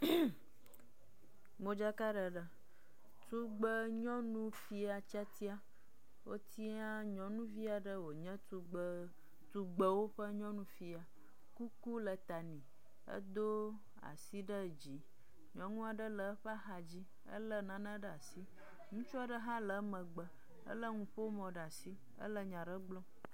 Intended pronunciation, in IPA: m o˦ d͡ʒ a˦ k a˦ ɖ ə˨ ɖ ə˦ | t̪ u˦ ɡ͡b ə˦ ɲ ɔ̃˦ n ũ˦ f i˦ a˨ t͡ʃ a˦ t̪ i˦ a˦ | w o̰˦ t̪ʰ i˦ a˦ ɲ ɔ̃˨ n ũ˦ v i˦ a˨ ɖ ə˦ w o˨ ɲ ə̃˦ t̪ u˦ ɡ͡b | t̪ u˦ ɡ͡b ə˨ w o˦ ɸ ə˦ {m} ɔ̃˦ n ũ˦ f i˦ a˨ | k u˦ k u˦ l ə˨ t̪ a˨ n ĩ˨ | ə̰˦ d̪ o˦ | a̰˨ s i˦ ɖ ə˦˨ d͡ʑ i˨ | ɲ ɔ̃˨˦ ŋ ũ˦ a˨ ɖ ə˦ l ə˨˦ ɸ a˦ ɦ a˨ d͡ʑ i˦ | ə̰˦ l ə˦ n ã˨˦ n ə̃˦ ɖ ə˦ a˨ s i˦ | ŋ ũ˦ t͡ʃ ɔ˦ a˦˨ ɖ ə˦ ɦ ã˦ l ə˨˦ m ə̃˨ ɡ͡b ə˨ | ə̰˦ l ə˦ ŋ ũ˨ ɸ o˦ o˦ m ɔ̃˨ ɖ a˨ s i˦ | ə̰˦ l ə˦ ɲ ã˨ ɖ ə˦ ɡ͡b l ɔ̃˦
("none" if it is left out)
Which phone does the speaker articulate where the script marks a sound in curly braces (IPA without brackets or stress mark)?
ɲ